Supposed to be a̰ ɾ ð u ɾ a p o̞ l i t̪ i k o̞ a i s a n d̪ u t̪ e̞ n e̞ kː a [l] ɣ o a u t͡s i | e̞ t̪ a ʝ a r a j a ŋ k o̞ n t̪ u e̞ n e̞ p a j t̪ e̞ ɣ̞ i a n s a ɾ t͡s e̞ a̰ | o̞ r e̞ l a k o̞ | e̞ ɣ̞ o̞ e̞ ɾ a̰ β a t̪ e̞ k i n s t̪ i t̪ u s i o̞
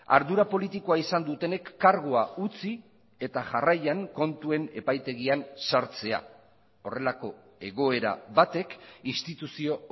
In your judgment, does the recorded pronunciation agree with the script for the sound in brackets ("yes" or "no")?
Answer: no